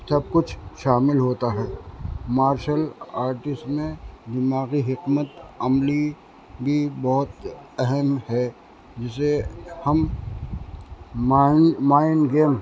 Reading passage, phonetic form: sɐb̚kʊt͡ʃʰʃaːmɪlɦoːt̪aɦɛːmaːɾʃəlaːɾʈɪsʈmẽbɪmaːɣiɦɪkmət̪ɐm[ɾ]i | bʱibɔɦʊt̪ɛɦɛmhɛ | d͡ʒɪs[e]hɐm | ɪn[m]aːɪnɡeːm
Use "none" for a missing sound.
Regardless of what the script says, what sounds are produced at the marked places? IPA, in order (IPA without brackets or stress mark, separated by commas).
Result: l, e, m